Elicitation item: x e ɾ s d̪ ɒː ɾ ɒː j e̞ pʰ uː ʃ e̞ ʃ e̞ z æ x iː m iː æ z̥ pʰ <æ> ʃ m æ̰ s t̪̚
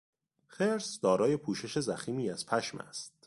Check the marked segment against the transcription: correct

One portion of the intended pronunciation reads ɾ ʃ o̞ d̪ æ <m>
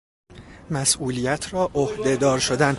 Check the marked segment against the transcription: incorrect: n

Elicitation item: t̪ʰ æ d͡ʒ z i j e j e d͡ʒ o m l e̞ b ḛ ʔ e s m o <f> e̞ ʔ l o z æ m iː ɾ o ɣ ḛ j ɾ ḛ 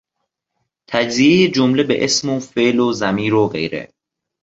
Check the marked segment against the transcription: correct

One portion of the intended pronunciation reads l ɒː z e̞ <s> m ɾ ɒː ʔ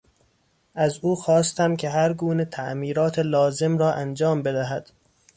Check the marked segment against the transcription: incorrect: none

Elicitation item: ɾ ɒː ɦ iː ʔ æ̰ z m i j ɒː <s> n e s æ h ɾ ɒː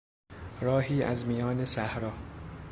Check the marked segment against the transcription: incorrect: none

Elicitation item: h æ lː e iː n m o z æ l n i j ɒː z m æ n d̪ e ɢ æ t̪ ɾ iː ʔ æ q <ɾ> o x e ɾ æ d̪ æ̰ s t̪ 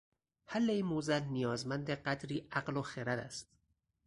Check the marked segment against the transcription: incorrect: l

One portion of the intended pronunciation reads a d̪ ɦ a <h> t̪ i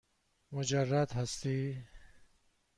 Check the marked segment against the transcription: incorrect: s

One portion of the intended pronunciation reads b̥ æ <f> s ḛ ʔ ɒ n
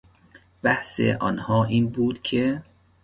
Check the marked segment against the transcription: incorrect: h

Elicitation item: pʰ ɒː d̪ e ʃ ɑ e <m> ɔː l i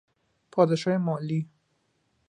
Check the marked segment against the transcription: correct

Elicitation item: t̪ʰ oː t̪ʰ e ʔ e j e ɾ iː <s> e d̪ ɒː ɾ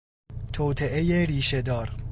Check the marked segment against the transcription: incorrect: ʃ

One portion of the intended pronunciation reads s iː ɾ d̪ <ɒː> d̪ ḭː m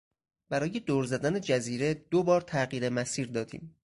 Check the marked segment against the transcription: correct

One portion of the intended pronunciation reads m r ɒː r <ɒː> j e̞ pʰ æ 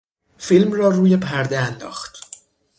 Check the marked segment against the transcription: incorrect: uː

